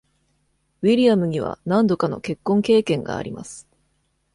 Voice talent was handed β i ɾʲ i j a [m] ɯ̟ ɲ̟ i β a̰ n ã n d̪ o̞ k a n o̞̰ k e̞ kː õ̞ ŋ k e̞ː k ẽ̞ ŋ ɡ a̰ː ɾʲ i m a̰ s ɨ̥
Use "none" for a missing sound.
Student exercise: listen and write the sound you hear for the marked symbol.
m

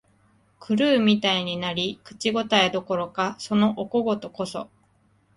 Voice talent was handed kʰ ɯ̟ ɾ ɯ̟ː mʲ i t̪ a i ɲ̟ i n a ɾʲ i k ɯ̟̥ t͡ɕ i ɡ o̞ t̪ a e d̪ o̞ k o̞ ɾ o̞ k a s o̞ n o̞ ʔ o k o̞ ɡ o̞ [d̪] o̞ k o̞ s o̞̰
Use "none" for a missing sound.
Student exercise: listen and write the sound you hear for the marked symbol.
t̪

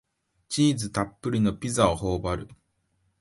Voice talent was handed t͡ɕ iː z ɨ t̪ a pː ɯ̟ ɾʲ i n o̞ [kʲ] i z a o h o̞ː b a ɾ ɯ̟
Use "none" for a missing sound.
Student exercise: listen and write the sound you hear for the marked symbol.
pʲ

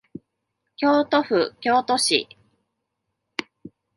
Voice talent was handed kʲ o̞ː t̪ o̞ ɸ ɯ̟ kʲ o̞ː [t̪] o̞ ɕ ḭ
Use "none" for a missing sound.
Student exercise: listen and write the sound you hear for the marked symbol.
t̪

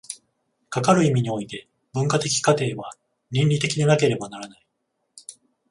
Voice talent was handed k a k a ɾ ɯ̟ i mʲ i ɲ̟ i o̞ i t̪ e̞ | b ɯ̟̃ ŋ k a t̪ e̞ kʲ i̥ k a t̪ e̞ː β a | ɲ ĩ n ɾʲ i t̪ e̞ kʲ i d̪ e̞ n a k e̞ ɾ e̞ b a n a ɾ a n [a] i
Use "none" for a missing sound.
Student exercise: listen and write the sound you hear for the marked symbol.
a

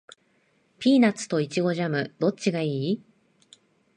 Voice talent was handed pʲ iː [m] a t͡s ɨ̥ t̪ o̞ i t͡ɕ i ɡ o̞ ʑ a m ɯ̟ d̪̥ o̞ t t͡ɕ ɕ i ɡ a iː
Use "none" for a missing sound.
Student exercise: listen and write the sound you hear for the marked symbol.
n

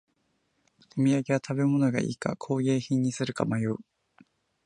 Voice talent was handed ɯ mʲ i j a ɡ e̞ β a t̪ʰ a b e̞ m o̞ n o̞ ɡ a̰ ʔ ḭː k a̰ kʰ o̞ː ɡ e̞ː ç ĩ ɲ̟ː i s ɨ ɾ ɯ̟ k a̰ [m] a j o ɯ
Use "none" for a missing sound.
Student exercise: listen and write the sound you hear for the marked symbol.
m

